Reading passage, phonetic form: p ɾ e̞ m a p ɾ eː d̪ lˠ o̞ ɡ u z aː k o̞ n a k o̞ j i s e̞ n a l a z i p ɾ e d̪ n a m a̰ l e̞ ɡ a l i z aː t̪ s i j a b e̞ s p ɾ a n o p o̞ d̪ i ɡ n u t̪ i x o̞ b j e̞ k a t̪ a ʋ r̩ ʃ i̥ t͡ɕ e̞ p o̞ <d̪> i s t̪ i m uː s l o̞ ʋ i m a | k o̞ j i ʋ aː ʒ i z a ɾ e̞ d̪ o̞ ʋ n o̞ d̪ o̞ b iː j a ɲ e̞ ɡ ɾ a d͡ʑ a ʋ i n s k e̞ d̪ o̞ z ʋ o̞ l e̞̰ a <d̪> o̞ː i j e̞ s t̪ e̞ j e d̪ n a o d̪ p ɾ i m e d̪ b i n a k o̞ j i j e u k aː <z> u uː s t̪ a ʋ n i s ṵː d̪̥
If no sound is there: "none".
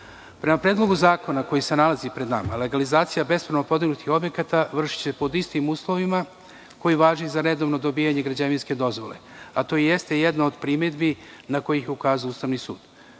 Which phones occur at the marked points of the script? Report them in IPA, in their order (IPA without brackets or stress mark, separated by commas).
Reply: d̪, t̪, z